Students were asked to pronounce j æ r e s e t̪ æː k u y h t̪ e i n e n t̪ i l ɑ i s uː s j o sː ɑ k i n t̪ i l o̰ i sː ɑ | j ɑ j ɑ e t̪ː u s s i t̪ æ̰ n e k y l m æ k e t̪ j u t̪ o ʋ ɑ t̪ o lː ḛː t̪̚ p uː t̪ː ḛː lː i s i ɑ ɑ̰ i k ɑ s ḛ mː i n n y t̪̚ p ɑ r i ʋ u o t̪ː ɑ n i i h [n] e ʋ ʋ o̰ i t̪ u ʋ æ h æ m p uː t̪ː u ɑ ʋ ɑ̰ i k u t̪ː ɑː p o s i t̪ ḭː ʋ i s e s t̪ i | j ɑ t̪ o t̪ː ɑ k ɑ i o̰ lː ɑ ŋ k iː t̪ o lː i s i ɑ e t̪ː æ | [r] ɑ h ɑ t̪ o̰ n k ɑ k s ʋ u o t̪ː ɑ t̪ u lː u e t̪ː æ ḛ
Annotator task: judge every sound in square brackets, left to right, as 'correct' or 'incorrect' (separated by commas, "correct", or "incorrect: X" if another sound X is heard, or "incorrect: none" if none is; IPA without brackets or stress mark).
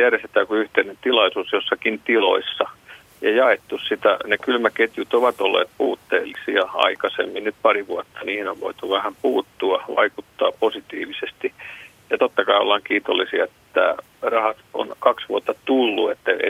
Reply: correct, correct